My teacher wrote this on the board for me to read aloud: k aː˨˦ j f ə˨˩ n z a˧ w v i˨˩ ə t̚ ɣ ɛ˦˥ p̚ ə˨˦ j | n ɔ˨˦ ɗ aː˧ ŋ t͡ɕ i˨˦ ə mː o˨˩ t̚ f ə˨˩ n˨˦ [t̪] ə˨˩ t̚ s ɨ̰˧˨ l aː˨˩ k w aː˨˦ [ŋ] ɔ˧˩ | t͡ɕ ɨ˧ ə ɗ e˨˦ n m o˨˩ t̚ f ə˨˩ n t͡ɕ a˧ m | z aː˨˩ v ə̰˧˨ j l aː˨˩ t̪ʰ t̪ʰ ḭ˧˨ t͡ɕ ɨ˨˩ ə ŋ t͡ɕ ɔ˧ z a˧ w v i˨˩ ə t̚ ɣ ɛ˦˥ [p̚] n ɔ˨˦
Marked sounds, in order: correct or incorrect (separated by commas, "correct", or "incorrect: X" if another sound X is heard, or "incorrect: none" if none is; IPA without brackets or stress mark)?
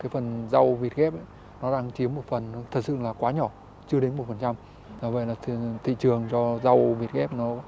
incorrect: t̪ʰ, incorrect: ɲ, correct